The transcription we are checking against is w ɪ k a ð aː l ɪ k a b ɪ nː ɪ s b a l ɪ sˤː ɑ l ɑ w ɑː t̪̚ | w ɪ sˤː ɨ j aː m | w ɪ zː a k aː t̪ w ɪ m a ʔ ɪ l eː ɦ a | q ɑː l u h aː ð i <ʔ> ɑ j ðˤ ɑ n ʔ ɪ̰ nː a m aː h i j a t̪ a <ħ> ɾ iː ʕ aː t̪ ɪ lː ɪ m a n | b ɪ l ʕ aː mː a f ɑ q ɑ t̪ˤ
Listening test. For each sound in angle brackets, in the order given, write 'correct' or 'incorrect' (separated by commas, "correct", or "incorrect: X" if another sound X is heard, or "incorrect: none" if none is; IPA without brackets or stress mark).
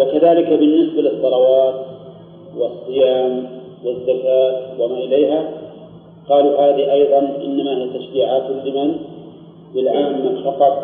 correct, incorrect: ʃ